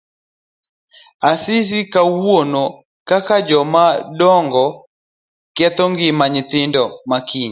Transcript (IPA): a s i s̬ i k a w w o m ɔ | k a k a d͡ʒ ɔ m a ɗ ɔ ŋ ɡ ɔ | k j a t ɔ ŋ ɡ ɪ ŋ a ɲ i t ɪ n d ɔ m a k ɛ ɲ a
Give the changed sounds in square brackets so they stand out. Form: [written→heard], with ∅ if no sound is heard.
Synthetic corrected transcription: a s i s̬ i k a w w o [m→n] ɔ | k a k a d͡ʒ ɔ m a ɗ ɔ ŋ ɡ ɔ | k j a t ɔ ŋ ɡ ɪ [ŋ→m] a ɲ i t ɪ n d ɔ m a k [ɛ→i] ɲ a